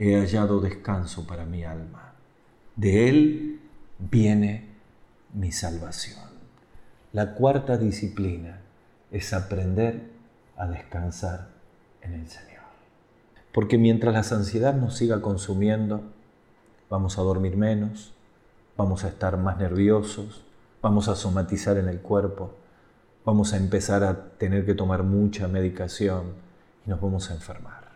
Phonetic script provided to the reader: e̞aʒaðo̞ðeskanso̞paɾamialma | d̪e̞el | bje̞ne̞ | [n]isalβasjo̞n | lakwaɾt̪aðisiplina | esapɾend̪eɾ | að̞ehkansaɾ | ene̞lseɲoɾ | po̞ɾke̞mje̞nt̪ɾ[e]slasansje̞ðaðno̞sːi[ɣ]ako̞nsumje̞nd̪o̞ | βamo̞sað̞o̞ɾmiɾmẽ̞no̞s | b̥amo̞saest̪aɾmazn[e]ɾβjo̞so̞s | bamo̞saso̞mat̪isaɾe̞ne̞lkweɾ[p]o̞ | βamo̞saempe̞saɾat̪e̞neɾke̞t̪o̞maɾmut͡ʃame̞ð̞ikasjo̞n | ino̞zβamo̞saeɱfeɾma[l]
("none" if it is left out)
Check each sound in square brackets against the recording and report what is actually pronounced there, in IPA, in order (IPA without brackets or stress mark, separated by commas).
m, a, ɣ, e, p, ɾ